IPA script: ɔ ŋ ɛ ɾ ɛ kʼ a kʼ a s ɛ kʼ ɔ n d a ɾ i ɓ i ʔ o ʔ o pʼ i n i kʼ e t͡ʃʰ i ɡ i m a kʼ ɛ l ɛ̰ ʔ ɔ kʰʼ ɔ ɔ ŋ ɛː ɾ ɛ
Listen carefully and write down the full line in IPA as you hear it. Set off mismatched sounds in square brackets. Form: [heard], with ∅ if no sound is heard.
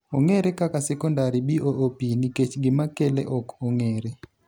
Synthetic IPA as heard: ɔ ŋ ɛ ɾ ɛ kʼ a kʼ a s ɛ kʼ ɔ n d a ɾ i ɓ i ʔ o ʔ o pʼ i n i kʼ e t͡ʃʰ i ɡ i m a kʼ ɛ l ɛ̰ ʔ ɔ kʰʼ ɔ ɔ ŋ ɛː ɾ ɛ